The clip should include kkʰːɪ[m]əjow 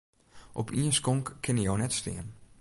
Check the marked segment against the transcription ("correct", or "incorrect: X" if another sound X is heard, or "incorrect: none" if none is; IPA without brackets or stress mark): incorrect: n